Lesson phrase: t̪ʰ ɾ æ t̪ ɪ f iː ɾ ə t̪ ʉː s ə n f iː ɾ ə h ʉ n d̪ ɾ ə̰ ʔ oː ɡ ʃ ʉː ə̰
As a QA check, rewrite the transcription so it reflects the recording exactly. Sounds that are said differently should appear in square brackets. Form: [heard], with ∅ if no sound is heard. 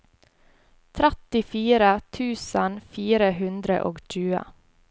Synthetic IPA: t̪ʰ ɾ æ t̪ ɪ f iː ɾ ə [t̪ʰ] ʉː s ə n f iː ɾ ə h ʉ n d̪ ɾ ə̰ ʔ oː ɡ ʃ ʉː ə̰